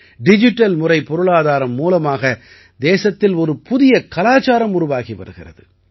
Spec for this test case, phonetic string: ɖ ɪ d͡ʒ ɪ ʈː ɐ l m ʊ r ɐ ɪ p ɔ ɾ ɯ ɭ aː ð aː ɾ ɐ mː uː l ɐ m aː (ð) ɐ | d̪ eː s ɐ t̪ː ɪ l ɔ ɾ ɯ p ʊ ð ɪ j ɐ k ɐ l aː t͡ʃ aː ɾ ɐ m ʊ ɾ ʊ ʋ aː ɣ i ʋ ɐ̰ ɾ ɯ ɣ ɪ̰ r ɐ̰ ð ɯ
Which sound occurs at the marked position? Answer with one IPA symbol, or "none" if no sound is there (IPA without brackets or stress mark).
ɣ